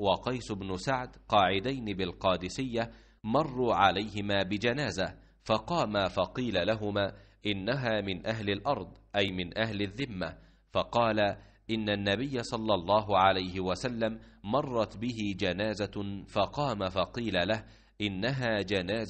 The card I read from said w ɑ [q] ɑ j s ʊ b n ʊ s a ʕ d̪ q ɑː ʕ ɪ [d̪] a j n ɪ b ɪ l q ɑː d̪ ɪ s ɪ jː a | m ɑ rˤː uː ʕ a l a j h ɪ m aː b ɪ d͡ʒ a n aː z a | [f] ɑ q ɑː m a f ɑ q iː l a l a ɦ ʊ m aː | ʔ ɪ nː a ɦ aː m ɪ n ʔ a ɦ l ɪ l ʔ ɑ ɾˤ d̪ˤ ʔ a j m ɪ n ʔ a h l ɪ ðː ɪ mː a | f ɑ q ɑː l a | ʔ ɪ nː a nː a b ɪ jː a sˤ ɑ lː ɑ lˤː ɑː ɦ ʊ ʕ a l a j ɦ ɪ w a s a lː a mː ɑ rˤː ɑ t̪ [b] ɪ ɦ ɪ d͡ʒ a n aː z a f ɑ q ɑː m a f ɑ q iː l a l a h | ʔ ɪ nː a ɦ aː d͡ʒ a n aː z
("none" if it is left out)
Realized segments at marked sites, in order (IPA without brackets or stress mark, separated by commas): q, d̪, f, b